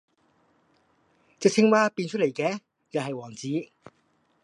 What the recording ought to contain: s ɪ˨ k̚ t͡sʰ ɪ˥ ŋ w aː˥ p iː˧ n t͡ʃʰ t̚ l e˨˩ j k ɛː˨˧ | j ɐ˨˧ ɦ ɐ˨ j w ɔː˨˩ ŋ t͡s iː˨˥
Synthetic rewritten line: t͡s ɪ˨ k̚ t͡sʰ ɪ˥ ŋ w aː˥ p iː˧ n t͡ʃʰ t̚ l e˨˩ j k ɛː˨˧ | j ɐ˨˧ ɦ ɐ˨ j w ɔː˨˩ ŋ t͡s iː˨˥